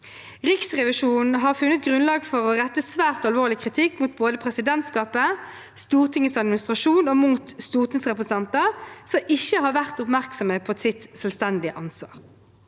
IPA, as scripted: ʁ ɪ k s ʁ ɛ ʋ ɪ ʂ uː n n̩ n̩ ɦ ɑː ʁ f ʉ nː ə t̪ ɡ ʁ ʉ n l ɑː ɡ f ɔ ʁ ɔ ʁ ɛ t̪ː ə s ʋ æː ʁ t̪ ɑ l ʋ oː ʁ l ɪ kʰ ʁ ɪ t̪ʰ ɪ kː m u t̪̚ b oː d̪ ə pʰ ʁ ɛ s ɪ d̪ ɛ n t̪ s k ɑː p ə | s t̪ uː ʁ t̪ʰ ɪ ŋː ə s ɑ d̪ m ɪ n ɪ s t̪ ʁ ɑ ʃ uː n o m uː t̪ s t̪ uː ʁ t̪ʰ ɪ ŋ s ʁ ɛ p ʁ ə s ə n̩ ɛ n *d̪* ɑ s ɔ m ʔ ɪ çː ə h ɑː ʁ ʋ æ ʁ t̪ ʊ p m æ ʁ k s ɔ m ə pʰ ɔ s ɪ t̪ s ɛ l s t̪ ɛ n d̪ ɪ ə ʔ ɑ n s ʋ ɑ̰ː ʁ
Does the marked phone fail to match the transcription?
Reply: yes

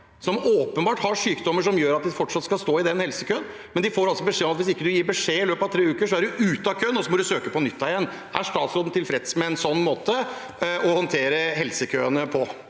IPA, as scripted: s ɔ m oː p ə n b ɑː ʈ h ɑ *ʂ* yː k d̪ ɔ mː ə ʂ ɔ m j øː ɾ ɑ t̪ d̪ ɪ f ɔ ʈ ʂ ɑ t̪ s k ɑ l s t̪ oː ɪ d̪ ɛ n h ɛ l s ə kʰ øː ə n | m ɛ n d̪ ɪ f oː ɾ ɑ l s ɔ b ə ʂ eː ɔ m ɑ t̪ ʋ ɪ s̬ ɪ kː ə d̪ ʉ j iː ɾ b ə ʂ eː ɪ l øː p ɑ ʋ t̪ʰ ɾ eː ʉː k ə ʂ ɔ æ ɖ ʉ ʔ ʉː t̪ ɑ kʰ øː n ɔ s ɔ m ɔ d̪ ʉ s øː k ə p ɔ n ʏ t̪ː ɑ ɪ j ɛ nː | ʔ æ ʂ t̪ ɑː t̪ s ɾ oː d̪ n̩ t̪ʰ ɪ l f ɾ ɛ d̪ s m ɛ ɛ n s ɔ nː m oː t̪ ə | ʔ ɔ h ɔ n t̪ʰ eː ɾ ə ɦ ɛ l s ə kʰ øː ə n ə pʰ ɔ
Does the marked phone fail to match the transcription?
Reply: no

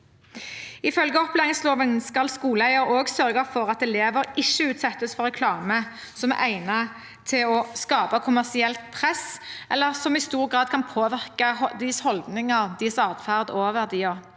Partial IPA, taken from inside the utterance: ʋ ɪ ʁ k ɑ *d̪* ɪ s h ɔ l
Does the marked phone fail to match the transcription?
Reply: no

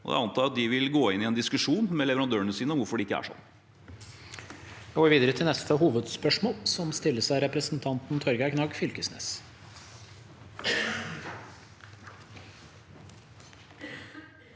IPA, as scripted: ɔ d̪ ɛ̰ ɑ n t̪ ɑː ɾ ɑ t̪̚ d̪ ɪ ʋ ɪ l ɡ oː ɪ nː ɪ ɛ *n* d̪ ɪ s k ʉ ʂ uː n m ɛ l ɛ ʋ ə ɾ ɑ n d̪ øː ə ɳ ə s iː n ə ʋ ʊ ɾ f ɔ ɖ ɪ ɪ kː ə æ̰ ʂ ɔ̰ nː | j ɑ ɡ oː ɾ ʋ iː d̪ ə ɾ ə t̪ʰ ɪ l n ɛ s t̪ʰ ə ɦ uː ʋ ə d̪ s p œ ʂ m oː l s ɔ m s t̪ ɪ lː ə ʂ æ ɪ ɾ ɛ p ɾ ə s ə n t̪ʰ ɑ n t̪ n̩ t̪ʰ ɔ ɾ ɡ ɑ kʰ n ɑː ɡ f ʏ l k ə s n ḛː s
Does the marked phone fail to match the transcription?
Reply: no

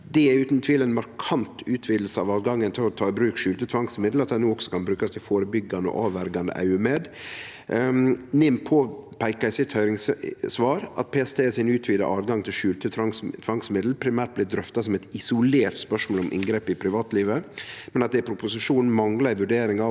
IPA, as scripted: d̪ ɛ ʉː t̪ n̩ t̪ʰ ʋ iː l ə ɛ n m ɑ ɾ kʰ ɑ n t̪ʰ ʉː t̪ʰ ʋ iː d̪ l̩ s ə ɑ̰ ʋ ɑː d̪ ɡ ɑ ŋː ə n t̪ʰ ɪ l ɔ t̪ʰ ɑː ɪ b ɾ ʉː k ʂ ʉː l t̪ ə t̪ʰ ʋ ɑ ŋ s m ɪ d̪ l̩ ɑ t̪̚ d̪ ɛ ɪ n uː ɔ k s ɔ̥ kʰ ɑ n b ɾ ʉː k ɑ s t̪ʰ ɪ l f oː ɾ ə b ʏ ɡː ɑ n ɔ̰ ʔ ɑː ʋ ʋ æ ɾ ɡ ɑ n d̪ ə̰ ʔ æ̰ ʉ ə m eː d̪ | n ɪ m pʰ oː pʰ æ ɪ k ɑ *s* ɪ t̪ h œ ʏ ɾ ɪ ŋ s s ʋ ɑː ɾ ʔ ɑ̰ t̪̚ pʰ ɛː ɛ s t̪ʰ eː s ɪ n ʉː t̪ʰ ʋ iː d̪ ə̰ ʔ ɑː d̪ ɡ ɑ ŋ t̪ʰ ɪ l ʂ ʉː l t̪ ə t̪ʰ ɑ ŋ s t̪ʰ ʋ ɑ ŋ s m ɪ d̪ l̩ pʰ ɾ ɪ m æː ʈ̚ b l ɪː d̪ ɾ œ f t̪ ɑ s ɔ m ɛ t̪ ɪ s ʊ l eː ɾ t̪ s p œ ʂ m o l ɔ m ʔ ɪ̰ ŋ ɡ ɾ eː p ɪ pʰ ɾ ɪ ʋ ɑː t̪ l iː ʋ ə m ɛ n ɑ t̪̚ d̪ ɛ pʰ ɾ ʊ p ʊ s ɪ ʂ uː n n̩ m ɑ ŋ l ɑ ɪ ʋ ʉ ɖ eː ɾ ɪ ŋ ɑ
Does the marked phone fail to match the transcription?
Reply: no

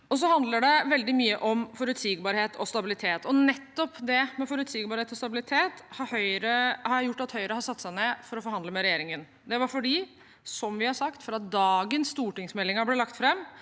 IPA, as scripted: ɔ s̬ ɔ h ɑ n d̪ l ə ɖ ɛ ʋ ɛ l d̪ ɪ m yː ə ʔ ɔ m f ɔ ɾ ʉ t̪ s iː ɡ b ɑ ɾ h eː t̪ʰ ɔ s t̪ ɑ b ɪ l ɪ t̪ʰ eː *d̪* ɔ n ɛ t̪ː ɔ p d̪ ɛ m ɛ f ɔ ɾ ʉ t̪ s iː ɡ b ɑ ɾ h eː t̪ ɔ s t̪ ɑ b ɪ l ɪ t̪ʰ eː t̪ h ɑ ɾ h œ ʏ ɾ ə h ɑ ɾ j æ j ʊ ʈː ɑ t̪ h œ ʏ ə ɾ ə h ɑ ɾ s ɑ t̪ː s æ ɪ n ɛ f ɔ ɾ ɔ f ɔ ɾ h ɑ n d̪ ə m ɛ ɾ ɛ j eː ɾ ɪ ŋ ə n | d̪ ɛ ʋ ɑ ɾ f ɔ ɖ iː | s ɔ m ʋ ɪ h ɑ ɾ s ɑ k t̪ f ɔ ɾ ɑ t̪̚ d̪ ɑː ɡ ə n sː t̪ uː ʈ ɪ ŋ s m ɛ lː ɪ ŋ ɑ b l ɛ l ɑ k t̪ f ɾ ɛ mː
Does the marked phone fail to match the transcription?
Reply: yes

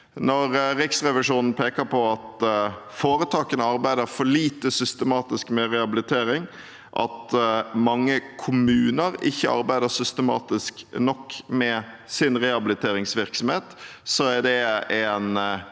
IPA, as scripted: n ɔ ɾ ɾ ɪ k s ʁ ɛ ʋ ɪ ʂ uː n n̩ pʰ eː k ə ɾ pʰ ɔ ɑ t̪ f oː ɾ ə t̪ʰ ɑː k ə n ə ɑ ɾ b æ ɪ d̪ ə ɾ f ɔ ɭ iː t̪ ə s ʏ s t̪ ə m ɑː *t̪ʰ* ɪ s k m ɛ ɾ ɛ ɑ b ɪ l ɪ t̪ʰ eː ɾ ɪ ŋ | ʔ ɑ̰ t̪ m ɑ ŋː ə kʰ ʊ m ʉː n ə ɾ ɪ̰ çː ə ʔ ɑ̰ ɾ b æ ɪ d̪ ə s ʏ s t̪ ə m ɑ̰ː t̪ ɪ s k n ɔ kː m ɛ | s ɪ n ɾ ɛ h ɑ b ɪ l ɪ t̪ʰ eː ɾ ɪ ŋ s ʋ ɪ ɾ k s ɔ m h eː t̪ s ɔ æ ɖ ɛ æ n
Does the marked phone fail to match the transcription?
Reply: yes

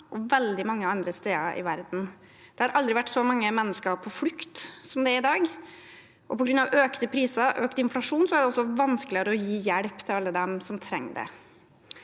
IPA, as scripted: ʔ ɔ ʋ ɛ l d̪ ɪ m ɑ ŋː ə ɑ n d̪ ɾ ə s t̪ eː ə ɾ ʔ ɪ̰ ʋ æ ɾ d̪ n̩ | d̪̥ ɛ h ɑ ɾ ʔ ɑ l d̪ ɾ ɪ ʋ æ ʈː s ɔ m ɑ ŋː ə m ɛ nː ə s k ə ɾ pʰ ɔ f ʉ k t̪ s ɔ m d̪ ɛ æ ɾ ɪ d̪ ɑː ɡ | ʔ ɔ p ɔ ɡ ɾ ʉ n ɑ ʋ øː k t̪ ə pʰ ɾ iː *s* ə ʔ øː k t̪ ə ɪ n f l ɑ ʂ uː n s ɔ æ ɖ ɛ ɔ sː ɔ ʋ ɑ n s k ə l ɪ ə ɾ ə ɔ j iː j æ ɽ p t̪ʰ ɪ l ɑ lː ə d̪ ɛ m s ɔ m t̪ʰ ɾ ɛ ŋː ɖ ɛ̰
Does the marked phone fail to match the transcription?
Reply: no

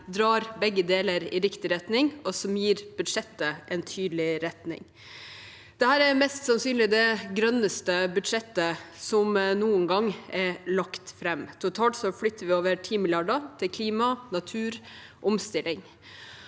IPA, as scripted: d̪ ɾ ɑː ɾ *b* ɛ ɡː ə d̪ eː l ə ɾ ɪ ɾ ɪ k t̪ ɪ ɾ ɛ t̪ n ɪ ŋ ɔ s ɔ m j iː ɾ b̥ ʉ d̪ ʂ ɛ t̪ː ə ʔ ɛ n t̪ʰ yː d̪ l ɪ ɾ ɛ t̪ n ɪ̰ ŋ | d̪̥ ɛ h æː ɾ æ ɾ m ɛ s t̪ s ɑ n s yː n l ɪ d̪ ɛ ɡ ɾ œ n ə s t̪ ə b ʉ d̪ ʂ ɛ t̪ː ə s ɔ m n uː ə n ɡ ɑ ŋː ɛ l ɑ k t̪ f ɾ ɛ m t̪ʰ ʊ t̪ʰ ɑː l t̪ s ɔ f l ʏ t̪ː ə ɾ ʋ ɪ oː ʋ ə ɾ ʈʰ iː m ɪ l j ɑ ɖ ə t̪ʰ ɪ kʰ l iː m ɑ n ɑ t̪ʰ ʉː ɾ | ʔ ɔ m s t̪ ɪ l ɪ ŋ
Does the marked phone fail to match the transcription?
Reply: no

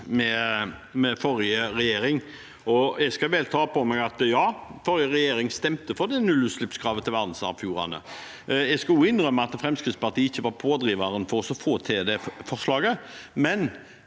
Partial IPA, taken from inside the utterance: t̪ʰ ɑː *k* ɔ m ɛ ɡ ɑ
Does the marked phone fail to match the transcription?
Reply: yes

